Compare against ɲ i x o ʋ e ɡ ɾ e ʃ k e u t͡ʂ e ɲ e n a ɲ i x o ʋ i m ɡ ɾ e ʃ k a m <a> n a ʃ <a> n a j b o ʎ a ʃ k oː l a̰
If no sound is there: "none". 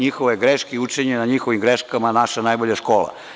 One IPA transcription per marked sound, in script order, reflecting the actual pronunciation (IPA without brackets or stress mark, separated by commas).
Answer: a, a